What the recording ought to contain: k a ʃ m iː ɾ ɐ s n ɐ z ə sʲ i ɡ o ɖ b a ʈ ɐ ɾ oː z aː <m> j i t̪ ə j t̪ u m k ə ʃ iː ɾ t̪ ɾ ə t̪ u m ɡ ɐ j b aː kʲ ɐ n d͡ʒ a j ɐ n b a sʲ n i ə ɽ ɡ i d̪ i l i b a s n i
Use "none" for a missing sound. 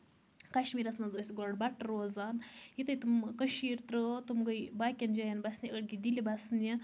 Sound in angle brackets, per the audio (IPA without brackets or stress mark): n